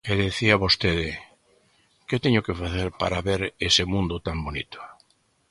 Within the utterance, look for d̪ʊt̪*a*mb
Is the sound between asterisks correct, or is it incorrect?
correct